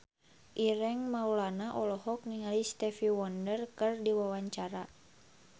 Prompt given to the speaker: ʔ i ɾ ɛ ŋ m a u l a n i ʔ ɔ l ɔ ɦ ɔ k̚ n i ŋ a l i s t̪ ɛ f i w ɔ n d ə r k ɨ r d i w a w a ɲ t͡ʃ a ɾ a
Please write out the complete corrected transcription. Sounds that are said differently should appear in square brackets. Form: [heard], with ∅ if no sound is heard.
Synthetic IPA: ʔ i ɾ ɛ ŋ m a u l a n [a] ʔ ɔ l ɔ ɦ ɔ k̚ n i ŋ a l i s t̪ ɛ f i w ɔ n d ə r k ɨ r d i w a w a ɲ t͡ʃ a ɾ a